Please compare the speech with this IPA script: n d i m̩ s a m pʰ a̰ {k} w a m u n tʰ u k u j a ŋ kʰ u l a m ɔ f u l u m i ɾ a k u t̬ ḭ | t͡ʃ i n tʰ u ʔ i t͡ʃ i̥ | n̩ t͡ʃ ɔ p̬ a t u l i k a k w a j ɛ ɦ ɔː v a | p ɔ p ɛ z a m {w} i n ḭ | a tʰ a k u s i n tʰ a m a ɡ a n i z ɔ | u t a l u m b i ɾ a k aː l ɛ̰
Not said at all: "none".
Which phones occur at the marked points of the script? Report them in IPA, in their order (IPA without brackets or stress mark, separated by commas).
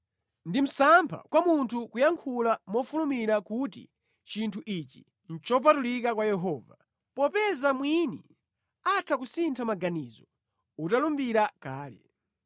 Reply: k, w